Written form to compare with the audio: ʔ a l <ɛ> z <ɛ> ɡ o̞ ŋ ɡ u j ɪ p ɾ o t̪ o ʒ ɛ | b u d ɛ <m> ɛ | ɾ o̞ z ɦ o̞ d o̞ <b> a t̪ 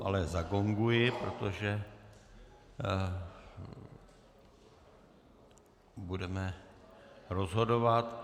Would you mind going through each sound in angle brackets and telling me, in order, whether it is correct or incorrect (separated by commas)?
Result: correct, incorrect, correct, incorrect